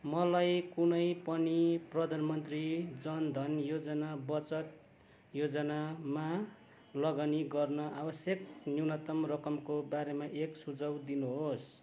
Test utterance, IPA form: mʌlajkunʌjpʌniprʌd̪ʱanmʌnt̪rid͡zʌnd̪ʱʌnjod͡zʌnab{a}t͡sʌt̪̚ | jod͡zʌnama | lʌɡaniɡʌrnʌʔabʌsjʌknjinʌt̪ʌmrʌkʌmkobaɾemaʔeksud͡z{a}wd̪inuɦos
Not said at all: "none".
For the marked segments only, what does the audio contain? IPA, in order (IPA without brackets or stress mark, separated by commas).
ʌ, ʌ